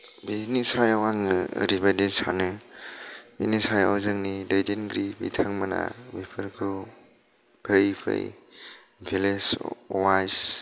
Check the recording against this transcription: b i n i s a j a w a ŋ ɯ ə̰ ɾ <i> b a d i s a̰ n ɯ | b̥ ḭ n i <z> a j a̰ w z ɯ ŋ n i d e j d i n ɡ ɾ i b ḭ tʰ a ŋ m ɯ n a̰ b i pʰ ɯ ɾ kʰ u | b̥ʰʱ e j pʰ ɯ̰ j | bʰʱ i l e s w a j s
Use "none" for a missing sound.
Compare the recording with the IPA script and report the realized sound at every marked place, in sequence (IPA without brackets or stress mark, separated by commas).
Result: i, s